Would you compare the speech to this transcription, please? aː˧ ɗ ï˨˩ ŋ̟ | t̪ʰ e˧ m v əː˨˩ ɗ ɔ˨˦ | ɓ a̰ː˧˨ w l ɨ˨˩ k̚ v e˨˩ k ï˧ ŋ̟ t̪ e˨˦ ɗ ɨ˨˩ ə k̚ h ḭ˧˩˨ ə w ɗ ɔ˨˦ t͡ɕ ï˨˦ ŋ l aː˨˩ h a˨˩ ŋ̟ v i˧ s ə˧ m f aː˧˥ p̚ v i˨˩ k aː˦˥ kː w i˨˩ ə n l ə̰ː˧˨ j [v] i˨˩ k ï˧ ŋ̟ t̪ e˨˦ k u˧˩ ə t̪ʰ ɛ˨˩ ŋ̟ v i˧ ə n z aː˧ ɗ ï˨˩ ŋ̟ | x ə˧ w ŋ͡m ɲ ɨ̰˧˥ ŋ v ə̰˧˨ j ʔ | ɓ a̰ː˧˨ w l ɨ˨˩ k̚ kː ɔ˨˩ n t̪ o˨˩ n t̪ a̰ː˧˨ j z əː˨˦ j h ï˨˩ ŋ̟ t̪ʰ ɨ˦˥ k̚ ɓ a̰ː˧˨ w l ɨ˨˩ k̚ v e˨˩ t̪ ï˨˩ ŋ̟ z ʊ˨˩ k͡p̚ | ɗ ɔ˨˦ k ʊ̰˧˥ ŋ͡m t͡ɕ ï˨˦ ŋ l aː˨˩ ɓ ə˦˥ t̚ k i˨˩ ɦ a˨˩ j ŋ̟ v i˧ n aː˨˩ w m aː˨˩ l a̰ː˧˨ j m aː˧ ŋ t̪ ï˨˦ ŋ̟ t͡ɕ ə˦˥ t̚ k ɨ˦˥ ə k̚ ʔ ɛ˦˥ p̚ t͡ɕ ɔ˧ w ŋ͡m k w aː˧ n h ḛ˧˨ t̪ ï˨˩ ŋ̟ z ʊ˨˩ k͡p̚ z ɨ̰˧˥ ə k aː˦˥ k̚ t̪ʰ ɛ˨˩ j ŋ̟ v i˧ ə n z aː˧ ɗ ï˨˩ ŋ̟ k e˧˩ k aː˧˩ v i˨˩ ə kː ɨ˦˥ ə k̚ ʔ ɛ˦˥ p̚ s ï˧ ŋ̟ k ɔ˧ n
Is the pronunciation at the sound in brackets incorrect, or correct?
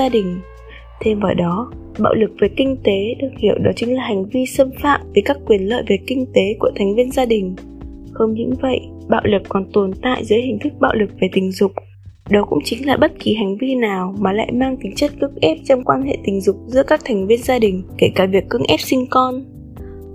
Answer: correct